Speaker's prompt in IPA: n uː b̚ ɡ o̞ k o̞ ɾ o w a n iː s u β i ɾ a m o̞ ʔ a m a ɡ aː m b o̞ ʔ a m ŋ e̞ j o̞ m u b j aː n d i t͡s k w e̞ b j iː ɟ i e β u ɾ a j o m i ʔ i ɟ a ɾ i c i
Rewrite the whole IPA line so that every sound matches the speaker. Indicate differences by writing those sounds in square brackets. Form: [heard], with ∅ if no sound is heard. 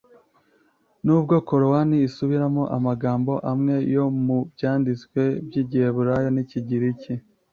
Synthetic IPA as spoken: n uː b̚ ɡ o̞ k o̞ ɾ o w a n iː s u β i ɾ a m o̞ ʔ a m a ɡ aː m b o̞ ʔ a m ŋ e̞ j o̞ m u b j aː n d i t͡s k w e̞ b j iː ɟ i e β u ɾ a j o [n] i [c] i ɟ [i] ɾ i c i